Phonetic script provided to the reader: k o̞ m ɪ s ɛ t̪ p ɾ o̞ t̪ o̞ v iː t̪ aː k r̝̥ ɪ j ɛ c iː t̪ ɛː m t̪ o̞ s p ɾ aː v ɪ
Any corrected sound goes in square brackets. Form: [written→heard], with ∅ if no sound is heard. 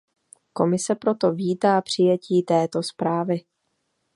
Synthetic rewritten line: k o̞ m ɪ s ɛ [t̪→∅] p ɾ o̞ t̪ o̞ v iː t̪ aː [k→p] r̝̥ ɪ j ɛ c iː t̪ ɛː [m→∅] t̪ o̞ s p ɾ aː v ɪ